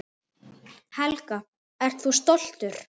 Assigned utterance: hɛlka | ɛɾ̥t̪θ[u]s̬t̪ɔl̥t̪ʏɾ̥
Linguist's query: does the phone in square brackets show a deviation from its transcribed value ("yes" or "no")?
no